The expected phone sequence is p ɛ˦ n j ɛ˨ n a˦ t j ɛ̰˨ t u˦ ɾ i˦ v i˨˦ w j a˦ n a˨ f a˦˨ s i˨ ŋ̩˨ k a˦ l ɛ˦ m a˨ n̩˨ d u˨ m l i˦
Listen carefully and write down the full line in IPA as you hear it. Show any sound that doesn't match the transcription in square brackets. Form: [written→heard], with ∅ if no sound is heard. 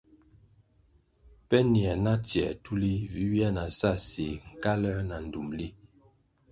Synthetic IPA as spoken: p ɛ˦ n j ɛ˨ n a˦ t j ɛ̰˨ t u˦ [ɾ→l] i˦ v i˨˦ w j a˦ n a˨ [f→s] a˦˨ s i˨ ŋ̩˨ k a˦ l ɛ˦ [m→n] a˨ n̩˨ d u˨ m l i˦